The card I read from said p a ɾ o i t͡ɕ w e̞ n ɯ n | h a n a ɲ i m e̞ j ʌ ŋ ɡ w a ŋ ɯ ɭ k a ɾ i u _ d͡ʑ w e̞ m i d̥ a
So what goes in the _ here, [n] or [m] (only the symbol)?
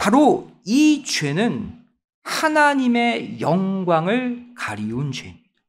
n